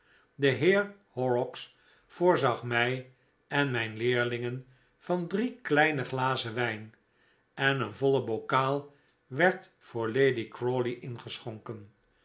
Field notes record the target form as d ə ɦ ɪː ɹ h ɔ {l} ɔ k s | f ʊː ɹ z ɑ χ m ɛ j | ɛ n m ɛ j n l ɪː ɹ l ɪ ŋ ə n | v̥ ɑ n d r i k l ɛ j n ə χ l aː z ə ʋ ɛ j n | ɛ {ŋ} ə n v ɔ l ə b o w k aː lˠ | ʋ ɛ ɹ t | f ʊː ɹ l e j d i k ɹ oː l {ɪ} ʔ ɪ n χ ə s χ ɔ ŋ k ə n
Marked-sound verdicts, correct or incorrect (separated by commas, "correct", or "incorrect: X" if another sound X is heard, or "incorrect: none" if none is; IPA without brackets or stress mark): incorrect: ɹ, incorrect: n, incorrect: i